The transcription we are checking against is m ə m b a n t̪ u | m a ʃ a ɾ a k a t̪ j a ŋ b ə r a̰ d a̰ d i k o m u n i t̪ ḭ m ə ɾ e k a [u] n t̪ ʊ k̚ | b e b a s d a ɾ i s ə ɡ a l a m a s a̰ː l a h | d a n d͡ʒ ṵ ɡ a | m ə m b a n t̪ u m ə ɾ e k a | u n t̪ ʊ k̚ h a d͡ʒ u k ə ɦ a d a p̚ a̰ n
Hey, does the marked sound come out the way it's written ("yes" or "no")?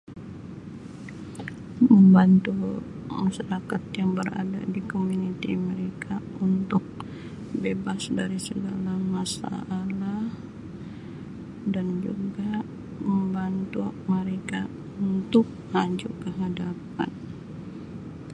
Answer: yes